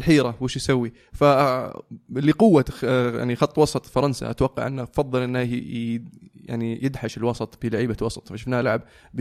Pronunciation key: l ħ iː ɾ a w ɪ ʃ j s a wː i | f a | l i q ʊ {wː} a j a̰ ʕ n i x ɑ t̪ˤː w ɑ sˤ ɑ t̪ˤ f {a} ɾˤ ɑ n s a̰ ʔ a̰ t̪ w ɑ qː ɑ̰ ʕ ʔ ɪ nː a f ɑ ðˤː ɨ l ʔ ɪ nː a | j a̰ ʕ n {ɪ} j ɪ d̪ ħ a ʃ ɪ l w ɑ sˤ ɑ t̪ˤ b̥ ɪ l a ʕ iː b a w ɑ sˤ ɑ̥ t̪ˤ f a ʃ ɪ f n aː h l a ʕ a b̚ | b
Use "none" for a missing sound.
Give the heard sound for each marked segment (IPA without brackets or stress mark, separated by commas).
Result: wː, ɑ, i